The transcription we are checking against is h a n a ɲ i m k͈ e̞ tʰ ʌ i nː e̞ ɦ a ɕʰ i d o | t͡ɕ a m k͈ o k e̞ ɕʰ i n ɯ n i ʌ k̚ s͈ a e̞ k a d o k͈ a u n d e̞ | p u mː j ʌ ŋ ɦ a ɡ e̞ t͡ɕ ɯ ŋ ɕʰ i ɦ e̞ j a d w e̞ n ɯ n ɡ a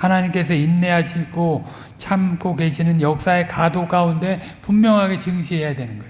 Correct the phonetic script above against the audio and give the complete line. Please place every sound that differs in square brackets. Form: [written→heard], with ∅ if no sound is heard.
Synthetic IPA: h a n a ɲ i m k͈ e̞ [tʰ→sʰ] ʌ i nː e̞ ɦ a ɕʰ i [d→ɡ] o | [t͡ɕ→t͡ɕʰ] a m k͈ o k e̞ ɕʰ i n ɯ n [i→j] ʌ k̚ s͈ a e̞ k a d o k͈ a u n d e̞ | p u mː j ʌ ŋ ɦ a ɡ e̞ t͡ɕ ɯ ŋ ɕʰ i ɦ e̞ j a d w e̞ n ɯ n ɡ [a→ʌ]